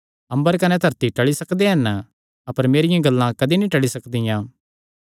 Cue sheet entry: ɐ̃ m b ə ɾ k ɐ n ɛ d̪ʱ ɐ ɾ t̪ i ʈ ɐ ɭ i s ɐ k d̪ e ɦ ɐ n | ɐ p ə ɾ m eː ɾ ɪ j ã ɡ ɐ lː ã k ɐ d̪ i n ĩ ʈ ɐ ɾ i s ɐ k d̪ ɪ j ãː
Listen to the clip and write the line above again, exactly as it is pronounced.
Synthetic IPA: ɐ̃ m b ə ɾ k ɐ n ɛ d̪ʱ ɐ ɾ t̪ i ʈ ɐ ɭ i s ɐ k d̪ e ɦ ɐ n | ɐ p ə ɾ m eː ɾ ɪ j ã ɡ ɐ lː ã k ɐ d̪ i n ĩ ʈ ɐ ɭ i s ɐ k d̪ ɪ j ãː